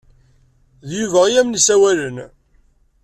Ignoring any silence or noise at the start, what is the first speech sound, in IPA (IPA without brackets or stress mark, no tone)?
ð